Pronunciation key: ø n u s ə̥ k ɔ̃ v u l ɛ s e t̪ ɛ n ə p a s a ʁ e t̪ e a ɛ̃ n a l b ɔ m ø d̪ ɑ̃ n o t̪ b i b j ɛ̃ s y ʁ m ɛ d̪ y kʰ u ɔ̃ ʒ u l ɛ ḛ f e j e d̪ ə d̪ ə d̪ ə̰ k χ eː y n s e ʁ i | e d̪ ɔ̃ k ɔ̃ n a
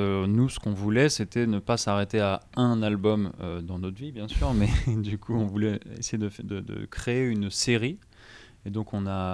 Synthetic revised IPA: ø n u s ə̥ k ɔ̃ v u l ɛ s e t̪ ɛ n ə p a s a ʁ e t̪ e a ɛ̃ n a l b ɔ m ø d̪ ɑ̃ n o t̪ v i b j ɛ̃ s y ʁ m ɛ d̪ y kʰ u ɔ̃ v u l ɛ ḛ s e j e d̪ ə d̪ ə d̪ ə̰ k χ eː y n s e ʁ i | e d̪ ɔ̃ k ɔ̃ n a